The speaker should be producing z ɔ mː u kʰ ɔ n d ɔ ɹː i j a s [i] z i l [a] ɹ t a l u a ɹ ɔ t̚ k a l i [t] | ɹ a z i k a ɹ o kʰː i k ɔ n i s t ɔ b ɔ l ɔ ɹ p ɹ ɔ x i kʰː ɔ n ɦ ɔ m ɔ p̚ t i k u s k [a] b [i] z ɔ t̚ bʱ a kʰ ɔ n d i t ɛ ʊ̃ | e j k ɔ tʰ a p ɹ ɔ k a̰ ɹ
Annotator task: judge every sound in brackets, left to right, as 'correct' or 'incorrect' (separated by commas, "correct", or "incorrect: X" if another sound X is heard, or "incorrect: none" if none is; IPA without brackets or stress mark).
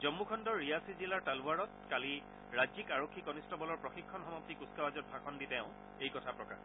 correct, correct, incorrect: none, correct, incorrect: a